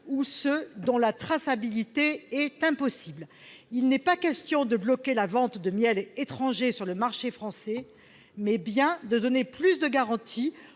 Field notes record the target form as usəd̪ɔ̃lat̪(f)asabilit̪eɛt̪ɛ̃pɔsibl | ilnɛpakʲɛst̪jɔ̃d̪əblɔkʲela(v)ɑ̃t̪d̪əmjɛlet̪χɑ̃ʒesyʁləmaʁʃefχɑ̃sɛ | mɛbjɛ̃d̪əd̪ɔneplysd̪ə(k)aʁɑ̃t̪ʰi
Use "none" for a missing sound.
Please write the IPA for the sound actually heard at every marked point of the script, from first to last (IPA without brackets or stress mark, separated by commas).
χ, v, ɡ